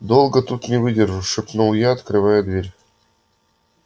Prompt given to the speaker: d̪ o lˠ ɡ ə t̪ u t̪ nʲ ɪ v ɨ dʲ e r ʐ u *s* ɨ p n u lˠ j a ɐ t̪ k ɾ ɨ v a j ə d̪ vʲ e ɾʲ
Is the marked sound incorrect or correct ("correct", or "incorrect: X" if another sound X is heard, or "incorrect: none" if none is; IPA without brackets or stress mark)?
incorrect: ʂ